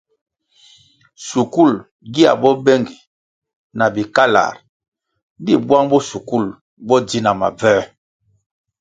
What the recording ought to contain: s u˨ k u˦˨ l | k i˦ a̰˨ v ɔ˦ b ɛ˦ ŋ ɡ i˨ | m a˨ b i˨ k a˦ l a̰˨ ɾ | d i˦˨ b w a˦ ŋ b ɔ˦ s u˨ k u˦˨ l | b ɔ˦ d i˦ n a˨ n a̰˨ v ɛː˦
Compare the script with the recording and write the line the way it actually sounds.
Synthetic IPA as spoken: s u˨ k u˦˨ l | ɡ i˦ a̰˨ b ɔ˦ b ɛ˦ ŋ ɡ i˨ | n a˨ b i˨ k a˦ l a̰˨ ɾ | d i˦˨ b w a˦ ŋ b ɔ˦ s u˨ k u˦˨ l | b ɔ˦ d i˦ n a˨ m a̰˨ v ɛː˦